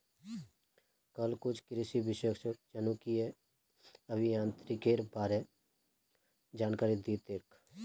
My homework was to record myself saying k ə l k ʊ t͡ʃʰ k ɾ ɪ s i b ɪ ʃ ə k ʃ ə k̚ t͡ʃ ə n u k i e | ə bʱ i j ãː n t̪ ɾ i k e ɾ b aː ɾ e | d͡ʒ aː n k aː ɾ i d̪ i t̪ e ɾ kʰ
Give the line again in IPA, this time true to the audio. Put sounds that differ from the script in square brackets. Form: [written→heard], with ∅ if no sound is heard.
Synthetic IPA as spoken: k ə l k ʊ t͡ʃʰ k ɾ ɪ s i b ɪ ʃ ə k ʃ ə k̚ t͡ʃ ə n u k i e | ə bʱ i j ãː n t̪ ɾ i k e ɾ b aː ɾ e | d͡ʒ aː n k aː ɾ i d̪ i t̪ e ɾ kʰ